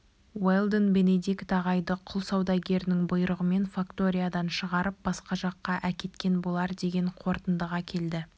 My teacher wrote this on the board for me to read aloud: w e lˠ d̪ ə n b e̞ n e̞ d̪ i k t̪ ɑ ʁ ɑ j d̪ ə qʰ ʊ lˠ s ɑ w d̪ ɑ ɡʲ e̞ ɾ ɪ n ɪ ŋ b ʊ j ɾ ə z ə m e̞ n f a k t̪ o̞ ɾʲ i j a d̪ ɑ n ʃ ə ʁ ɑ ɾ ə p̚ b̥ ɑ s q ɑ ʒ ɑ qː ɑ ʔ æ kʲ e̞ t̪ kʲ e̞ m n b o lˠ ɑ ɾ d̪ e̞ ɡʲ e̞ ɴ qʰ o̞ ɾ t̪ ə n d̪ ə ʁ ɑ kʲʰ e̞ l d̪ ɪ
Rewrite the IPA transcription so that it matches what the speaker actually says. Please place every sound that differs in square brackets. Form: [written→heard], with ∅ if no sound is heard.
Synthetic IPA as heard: w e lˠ d̪ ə n b e̞ n e̞ d̪ i k t̪ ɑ ʁ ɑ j d̪ ə qʰ ʊ lˠ s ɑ w d̪ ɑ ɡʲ e̞ ɾ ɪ n ɪ ŋ b ʊ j ɾ ə [z→ʁ] ə m e̞ n f a k t̪ o̞ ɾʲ i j a d̪ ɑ n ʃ ə ʁ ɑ ɾ ə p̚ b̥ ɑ s q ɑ ʒ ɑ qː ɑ ʔ æ kʲ e̞ t̪ kʲ e̞ [m→∅] n b o lˠ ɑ ɾ d̪ e̞ ɡʲ e̞ ɴ qʰ o̞ ɾ t̪ ə n d̪ ə ʁ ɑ kʲʰ e̞ l d̪ ɪ